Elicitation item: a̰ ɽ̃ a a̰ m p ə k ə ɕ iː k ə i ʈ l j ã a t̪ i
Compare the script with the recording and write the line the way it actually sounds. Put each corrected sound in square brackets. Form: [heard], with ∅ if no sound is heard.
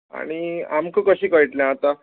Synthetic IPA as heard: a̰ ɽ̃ [i] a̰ m [k] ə k ə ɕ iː k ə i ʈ l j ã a t̪ [a]